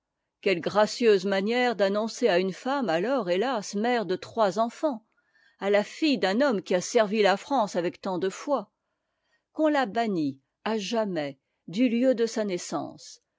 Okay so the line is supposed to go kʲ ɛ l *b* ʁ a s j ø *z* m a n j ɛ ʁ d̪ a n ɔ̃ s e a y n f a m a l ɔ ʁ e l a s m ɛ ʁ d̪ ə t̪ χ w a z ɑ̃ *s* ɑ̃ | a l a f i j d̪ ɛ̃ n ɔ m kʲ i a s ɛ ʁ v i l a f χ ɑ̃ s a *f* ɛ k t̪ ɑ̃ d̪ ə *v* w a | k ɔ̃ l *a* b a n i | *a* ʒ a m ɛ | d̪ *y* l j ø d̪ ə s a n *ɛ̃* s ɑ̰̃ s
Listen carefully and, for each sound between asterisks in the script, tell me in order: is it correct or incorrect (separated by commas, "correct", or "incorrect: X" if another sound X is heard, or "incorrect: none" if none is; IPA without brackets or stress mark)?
incorrect: ɡ, correct, incorrect: f, incorrect: v, incorrect: f, correct, correct, correct, incorrect: ɛ